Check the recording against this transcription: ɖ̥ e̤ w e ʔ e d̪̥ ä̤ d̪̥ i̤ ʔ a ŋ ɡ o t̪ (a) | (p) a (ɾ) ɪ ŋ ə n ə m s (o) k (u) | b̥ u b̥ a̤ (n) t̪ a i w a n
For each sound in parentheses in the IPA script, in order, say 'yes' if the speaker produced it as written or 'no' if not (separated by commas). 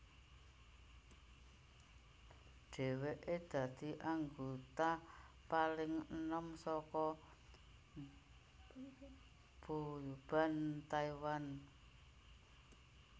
yes, yes, no, no, no, yes